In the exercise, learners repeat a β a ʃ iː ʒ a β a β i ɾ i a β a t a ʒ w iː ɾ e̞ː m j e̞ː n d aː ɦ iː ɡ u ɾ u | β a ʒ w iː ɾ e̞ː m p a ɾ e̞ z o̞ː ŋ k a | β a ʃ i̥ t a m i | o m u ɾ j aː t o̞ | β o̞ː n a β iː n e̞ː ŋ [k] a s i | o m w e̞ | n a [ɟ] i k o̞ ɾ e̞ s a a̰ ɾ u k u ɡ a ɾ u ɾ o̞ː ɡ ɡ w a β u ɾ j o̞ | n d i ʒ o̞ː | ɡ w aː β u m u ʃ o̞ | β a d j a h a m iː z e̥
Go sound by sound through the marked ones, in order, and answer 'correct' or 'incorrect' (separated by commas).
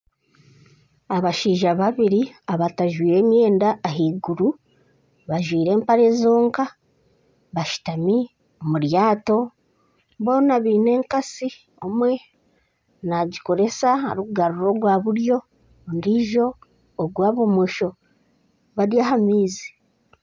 correct, correct